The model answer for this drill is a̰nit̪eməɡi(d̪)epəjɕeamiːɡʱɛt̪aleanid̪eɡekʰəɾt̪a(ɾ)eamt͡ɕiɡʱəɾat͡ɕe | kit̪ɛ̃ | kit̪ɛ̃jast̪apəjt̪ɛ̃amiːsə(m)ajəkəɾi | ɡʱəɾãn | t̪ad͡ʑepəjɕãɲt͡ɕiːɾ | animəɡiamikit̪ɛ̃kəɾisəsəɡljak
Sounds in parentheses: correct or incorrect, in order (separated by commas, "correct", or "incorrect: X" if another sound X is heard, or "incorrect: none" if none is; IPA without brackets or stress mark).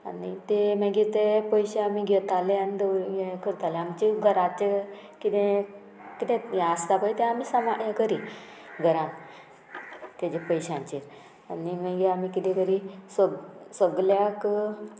incorrect: t̪, incorrect: l, correct